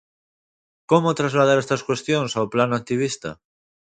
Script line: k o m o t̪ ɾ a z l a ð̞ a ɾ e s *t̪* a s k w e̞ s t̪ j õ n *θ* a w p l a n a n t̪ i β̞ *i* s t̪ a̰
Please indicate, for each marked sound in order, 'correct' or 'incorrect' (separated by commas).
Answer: correct, incorrect, correct